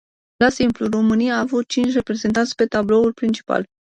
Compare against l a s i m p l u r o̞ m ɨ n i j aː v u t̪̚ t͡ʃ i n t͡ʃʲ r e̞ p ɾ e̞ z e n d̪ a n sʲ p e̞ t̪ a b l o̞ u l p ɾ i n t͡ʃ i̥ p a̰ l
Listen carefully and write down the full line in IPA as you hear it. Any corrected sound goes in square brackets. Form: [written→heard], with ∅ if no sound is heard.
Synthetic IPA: l a s i m p l u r o̞ m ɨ n i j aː v u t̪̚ t͡ʃ i n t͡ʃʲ r e̞ p ɾ e̞ z e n [d̪→t̪] a n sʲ p e̞ t̪ a b l o̞ u l p ɾ i n t͡ʃ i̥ p a̰ l